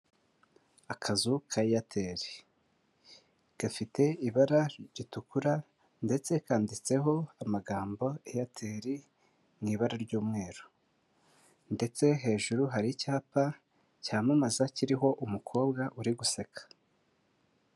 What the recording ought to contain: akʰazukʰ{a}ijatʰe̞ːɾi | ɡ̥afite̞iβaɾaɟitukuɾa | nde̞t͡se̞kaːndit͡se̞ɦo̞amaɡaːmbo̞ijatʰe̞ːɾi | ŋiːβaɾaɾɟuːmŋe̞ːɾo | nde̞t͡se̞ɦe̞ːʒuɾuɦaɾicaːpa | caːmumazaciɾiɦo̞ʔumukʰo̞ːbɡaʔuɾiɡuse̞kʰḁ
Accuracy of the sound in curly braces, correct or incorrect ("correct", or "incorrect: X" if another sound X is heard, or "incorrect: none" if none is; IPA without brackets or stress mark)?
correct